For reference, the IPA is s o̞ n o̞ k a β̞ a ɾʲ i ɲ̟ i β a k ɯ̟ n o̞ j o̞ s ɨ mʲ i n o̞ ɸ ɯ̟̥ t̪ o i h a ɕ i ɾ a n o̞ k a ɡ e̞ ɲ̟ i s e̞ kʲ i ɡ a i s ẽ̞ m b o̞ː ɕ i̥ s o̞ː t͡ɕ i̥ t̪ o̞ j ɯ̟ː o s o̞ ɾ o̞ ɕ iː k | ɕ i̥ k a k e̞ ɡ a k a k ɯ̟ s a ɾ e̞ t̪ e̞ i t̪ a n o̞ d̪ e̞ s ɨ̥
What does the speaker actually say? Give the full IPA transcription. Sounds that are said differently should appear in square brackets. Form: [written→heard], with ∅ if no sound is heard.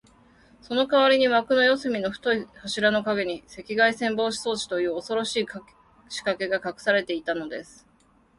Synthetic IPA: s o̞ n o̞ k a β̞ a ɾʲ i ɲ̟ i β a k ɯ̟ n o̞ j o̞ s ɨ mʲ i n o̞ ɸ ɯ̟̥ t̪ o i h a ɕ i ɾ a n o̞ k a ɡ e̞ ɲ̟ i s e̞ kʲ i ɡ a i s ẽ̞ m b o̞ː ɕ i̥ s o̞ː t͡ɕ i̥ t̪ o̞ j ɯ̟ː o s o̞ ɾ o̞ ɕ iː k | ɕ i̥ k a k e̞ ɡ a k a k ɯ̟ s a ɾ e̞ t̪ e̞ i t̪ a n o̞ d̪ e̞ s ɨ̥